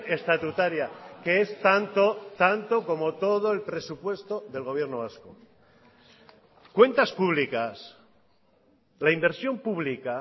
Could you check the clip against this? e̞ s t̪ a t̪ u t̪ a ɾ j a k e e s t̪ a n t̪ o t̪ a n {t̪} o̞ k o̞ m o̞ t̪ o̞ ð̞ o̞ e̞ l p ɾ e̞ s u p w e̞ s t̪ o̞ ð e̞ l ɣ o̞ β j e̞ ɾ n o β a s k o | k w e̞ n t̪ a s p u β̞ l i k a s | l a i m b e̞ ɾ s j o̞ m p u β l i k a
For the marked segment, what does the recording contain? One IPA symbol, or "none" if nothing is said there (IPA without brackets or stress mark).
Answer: t̪